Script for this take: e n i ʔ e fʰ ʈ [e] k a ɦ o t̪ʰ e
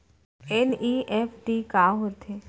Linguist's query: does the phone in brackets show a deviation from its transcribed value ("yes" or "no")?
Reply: yes